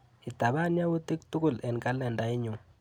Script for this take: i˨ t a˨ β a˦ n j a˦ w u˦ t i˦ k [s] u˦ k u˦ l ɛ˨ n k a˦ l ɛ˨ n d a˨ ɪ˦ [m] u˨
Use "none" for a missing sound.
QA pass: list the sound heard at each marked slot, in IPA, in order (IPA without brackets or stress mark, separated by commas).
t, ɲ